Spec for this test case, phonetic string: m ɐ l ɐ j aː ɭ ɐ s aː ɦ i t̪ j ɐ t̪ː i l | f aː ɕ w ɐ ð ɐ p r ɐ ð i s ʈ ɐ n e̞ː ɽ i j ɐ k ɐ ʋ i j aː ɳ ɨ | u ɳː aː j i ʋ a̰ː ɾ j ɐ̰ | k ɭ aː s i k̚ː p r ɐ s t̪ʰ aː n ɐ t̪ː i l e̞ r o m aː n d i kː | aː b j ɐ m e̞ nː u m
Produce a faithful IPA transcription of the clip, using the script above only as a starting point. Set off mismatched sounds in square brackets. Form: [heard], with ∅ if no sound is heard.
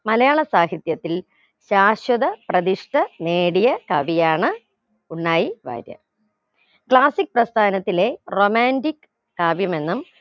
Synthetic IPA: m ɐ l ɐ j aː ɭ ɐ s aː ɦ i t̪ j ɐ t̪ː i l | [ɕ] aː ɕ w ɐ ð ɐ p r ɐ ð i [ʂ] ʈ ɐ n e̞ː ɽ i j ɐ k ɐ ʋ i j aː ɳ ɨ | u ɳː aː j i ʋ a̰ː ɾ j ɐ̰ | k ɭ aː s i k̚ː p r ɐ s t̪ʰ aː n ɐ t̪ː i l e̞ r o m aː n d i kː | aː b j ɐ m e̞ nː u m